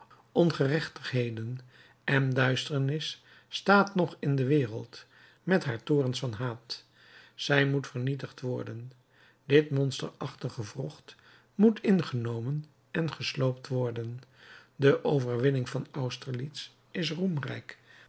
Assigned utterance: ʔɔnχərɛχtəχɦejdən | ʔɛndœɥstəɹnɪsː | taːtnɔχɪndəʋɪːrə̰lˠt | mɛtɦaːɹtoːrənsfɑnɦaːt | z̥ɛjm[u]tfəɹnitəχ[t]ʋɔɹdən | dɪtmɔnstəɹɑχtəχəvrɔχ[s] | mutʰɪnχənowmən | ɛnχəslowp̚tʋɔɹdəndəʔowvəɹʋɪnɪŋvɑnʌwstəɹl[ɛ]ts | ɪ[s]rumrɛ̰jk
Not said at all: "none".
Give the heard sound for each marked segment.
u, t, t, i, s

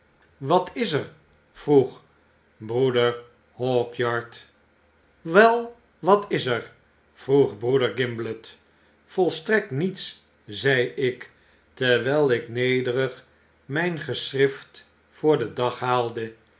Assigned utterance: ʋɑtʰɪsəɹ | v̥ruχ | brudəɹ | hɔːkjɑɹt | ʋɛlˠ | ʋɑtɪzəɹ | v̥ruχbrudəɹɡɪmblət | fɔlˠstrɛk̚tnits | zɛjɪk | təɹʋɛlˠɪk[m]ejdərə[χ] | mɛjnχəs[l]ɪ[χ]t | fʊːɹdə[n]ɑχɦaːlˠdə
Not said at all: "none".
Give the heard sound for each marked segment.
n, χ, r, f, d

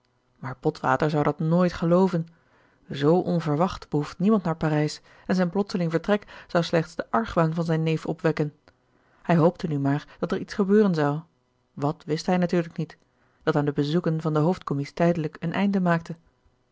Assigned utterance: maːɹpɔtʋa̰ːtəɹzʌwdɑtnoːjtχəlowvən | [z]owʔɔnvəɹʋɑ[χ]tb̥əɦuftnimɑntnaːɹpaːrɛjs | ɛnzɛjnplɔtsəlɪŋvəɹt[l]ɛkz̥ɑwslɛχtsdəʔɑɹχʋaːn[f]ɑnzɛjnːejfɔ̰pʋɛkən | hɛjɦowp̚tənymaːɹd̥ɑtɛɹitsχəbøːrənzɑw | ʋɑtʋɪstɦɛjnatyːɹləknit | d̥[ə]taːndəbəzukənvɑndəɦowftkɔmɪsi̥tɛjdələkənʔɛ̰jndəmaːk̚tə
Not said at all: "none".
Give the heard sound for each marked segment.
z, χ, r, v, ɑ

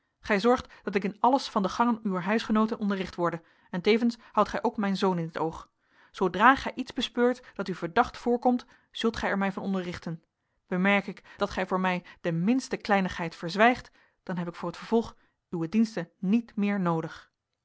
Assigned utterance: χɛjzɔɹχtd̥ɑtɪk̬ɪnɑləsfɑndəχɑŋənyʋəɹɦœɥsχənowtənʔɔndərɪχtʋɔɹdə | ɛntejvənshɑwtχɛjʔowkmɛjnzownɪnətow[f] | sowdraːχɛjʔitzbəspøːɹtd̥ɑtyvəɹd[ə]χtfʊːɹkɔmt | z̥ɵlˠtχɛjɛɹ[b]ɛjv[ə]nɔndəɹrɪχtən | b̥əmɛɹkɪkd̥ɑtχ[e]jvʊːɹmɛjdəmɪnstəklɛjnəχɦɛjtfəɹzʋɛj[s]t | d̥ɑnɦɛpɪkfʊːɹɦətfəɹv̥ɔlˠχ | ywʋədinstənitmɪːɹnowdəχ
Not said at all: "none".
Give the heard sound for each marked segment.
χ, ɑ, m, ɑ, ɛ, χ

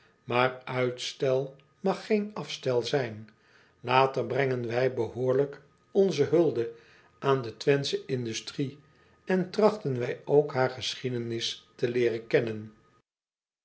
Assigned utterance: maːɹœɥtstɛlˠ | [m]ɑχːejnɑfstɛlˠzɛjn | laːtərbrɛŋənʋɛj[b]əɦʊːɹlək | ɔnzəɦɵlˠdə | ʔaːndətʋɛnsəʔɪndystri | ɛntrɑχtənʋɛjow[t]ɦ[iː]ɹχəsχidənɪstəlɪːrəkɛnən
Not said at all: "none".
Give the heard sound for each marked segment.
m, b, k, aː

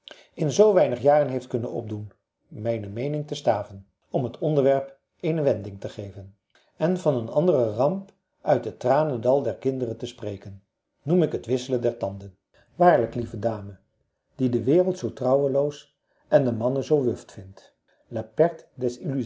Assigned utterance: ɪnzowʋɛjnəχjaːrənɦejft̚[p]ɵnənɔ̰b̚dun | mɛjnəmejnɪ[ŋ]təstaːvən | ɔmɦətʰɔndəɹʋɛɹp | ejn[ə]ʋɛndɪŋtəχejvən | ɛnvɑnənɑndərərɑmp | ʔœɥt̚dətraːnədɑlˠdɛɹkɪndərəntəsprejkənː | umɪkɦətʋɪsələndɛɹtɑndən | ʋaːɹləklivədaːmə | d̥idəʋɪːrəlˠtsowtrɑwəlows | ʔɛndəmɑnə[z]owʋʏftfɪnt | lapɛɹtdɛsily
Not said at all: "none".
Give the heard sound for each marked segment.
k, ŋ, ə, z

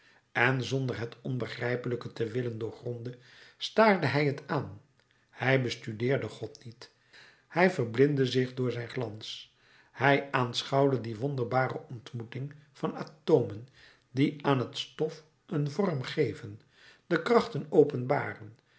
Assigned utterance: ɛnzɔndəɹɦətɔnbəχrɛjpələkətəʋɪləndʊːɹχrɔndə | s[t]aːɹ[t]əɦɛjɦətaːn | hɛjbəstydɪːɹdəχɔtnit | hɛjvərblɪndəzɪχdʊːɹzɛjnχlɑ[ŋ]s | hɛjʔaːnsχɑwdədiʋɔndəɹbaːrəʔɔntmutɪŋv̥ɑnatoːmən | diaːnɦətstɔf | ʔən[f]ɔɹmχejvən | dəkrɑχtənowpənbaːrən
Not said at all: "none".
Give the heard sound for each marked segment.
t, d, n, v

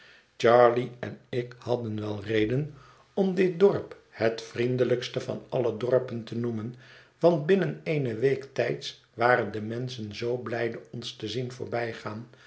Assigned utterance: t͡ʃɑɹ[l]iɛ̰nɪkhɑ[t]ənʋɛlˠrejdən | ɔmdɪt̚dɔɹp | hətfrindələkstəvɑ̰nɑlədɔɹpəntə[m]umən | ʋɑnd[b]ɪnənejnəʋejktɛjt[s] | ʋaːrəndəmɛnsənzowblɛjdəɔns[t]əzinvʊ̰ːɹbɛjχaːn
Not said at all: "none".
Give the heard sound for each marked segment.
l, d, n, b, s, t

